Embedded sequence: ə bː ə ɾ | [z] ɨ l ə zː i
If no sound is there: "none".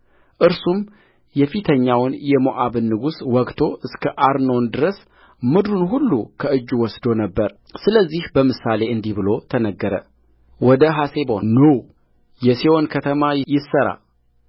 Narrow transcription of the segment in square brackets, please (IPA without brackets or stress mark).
s